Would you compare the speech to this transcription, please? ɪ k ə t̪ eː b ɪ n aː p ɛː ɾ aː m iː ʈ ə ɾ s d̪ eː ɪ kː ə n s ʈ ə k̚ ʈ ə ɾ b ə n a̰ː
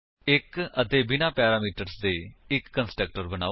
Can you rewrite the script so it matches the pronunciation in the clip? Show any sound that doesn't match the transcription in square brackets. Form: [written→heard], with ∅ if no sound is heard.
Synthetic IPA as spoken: ɪ k ə t̪ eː b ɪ n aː p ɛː ɾ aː m iː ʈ ə ɾ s d̪ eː ɪ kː ə n s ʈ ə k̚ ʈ ə ɾ b ə n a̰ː